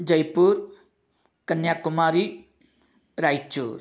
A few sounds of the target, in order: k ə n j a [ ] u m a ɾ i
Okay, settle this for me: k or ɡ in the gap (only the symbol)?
k